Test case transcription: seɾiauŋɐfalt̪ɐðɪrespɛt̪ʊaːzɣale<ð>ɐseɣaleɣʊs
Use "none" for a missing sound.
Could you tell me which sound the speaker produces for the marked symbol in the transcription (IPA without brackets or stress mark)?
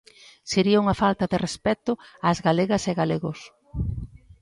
ɣ